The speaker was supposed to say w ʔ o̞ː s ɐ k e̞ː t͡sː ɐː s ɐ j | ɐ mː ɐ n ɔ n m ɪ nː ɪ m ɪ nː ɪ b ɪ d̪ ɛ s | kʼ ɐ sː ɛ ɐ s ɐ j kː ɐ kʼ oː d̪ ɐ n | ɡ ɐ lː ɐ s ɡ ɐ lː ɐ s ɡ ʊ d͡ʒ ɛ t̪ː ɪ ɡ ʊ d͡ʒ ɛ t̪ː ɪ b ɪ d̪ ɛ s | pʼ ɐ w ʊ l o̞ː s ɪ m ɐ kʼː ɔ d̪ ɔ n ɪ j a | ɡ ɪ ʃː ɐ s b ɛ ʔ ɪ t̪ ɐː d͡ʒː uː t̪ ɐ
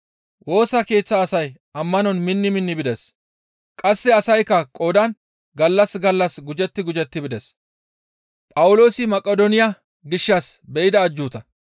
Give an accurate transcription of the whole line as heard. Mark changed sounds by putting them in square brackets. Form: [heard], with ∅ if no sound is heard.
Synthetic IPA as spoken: w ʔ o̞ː s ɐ k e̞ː t͡sː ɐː s ɐ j | ɐ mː ɐ n ɔ n m ɪ nː ɪ m ɪ nː ɪ b ɪ d̪ ɛ s | kʼ ɐ sː ɛ ɐ s ɐ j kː ɐ kʼ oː d̪ ɐ n | ɡ ɐ lː ɐ s ɡ ɐ lː ɐ s ɡ ʊ d͡ʒ ɛ t̪ː ɪ ɡ ʊ d͡ʒ ɛ t̪ː ɪ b ɪ d̪ ɛ s | pʼ ɐ w ʊ l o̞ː s ɪ m ɐ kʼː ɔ d̪ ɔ n ɪ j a | ɡ ɪ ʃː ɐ s b ɛ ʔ ɪ [d̪] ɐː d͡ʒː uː t̪ ɐ

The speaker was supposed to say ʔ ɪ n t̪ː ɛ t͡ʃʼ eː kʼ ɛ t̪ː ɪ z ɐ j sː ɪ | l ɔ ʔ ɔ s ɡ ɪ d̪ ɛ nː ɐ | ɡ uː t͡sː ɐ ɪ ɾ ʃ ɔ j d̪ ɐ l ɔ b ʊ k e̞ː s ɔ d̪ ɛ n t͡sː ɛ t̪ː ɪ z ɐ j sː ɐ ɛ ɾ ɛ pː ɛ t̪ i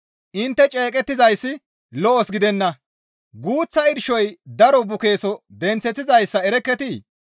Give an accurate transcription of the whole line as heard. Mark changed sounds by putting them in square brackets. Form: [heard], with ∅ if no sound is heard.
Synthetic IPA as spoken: ʔ ɪ n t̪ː ɛ t͡ʃʼ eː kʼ ɛ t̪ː ɪ z ɐ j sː ɪ | l ɔ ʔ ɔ s ɡ ɪ d̪ ɛ nː ɐ | ɡ uː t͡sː ɐ ɪ ɾ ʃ ɔ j d̪ ɐ [ɾ] ɔ b ʊ k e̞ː s ɔ d̪ ɛ n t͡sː ɛ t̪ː ɪ z ɐ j sː ɐ ɛ ɾ ɛ [kː] ɛ t̪ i

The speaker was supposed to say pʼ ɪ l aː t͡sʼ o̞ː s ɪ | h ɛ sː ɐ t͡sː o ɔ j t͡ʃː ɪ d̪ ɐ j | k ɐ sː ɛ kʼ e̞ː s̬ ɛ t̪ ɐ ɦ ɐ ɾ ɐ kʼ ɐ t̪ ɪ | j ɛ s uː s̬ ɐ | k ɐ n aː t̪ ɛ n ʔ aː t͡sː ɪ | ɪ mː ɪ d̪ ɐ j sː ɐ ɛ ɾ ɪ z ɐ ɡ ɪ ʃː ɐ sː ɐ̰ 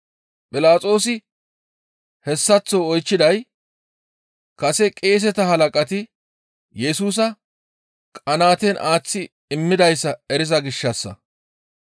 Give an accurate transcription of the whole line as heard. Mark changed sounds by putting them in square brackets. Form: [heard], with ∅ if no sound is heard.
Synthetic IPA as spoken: pʼ ɪ l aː t͡sʼ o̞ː s ɪ | h ɛ sː ɐ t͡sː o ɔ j t͡ʃː ɪ d̪ ɐ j | k ɐ [s] ɛ kʼ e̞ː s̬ ɛ t̪ ɐ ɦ ɐ [l] ɐ kʼ ɐ t̪ ɪ | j ɛ s uː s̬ ɐ | [kʼ] ɐ n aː t̪ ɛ n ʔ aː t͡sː ɪ | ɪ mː ɪ d̪ ɐ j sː ɐ ɛ ɾ ɪ z ɐ ɡ ɪ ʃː ɐ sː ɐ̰

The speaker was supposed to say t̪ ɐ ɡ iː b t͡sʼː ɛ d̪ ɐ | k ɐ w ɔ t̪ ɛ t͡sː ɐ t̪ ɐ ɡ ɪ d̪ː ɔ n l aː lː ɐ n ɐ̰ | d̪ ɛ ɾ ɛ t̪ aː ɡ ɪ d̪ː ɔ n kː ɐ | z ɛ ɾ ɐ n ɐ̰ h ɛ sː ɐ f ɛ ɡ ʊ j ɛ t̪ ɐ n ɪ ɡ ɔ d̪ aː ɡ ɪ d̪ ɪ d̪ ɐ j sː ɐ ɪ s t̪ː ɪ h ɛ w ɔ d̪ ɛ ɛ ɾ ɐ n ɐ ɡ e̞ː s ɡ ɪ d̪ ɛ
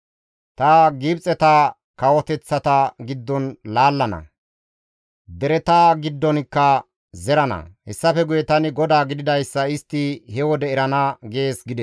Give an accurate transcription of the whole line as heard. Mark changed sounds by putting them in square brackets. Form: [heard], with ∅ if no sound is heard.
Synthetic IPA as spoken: t̪ ɐ ɡ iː b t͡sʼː ɛ [t̪] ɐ | k ɐ w ɔ t̪ ɛ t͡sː ɐ t̪ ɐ ɡ ɪ d̪ː ɔ n l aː lː ɐ n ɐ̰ | d̪ ɛ ɾ ɛ t̪ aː ɡ ɪ d̪ː ɔ n kː ɐ | z ɛ ɾ ɐ n ɐ̰ h ɛ sː ɐ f ɛ ɡ ʊ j ɛ t̪ ɐ n ɪ ɡ ɔ d̪ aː ɡ ɪ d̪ ɪ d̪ ɐ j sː ɐ ɪ s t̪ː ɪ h ɛ w ɔ d̪ ɛ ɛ ɾ ɐ n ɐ ɡ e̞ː s ɡ ɪ d̪ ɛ

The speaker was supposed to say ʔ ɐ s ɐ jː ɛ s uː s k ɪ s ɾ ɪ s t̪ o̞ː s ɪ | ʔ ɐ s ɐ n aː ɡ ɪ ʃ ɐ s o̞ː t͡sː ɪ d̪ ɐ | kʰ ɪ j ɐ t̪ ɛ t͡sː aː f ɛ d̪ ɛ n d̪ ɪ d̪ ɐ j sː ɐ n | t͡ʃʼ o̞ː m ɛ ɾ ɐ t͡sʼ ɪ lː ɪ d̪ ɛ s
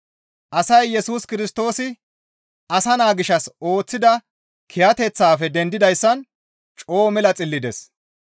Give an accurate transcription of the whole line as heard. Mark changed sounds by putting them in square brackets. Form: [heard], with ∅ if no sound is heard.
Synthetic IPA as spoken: ʔ ɐ s ɐ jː ɛ s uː s k ɪ [∅] ɾ ɪ s t̪ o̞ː s ɪ | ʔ ɐ s ɐ n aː ɡ ɪ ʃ ɐ s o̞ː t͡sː ɪ d̪ ɐ | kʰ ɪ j ɐ t̪ ɛ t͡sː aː f ɛ d̪ ɛ n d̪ ɪ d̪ ɐ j sː ɐ n | t͡ʃʼ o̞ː m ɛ [l] ɐ t͡sʼ ɪ lː ɪ d̪ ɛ s

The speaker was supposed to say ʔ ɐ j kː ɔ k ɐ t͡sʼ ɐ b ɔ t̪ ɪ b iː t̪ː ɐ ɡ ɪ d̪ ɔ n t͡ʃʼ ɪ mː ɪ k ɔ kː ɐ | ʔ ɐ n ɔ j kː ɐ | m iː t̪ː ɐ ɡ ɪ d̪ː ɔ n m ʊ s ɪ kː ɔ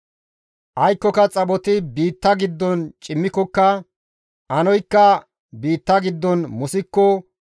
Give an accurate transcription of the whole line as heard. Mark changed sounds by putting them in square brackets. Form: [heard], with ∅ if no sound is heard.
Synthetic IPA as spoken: ʔ ɐ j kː ɔ k ɐ t͡sʼ ɐ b ɔ t̪ ɪ b iː t̪ː ɐ ɡ ɪ [d̪ː] ɔ n t͡ʃʼ ɪ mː ɪ k ɔ kː ɐ | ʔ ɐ n ɔ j kː ɐ | [b] iː t̪ː ɐ ɡ ɪ d̪ː ɔ n m ʊ s ɪ kː ɔ

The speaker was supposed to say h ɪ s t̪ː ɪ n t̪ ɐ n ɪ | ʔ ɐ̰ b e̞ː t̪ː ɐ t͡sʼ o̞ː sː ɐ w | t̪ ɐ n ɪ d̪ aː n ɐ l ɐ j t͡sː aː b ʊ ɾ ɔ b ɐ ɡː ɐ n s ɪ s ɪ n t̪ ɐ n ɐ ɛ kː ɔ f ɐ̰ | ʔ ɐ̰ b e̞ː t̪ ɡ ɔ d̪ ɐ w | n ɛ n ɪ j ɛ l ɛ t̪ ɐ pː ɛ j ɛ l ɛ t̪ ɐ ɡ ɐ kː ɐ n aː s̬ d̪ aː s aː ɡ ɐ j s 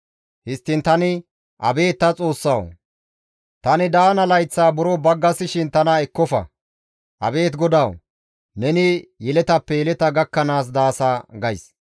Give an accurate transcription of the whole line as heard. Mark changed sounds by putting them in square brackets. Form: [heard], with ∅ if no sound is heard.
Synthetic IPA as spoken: h ɪ s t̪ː ɪ n t̪ ɐ n ɪ | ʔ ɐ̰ b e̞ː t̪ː ɐ t͡sʼ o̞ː sː ɐ w | t̪ ɐ n ɪ d̪ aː n ɐ l ɐ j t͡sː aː b ʊ ɾ ɔ b ɐ ɡː ɐ [∅] s ɪ [ʃ] ɪ n t̪ ɐ n ɐ ɛ kː ɔ f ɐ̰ | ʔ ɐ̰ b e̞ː t̪ ɡ ɔ d̪ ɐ w | n ɛ n ɪ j ɛ l ɛ t̪ ɐ pː ɛ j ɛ l ɛ t̪ ɐ ɡ ɐ kː ɐ n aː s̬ d̪ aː s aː ɡ ɐ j s

